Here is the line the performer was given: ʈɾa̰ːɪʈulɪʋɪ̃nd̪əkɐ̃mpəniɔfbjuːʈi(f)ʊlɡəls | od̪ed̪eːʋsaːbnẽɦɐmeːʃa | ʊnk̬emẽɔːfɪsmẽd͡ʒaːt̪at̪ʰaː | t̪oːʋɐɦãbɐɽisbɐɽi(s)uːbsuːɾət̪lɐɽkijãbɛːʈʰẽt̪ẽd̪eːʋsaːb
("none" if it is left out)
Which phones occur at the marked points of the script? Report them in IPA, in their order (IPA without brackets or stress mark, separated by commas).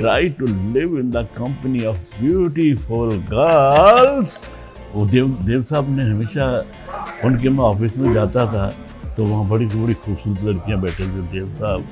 f, x